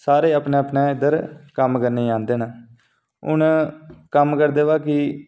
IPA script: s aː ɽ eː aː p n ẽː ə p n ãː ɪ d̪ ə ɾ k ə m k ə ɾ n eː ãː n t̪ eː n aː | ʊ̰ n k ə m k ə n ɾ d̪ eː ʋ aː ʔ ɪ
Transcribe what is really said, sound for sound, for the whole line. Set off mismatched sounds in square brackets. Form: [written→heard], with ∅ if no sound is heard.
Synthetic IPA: s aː [ɽ→ɾ] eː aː p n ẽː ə p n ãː ɪ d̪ ə ɾ k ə m k ə ɾ n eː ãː n [t̪→d̪] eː n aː | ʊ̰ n k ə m k ə [n→∅] ɾ d̪ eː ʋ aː [ʔ→k] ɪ